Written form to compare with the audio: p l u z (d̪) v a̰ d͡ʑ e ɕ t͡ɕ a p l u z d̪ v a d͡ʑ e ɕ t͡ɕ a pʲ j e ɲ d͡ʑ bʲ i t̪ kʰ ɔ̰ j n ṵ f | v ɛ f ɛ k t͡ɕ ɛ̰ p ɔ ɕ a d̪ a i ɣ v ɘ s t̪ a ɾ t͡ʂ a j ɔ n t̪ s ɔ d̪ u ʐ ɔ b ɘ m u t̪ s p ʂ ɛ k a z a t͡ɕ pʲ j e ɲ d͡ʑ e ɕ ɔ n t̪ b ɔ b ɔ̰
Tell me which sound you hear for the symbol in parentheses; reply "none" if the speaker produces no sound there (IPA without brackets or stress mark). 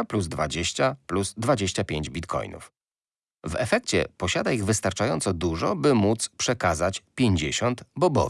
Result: d̪